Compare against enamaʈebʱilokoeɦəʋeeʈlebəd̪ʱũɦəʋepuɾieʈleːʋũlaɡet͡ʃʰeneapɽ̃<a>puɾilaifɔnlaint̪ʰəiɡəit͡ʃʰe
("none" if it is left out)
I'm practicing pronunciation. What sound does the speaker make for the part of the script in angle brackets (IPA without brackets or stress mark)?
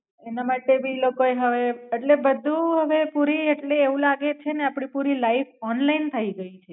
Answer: i